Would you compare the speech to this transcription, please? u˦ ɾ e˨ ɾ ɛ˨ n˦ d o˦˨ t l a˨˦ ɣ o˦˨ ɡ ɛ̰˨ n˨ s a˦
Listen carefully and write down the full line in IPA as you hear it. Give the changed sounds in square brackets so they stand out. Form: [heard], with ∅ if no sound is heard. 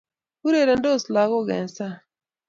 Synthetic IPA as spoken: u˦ ɾ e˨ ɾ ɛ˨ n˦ d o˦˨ [s] l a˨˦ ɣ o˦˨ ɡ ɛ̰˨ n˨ s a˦